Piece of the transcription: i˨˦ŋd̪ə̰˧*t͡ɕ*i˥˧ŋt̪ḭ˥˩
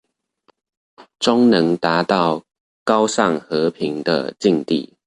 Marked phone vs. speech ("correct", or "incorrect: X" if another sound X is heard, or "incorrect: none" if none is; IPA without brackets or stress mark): correct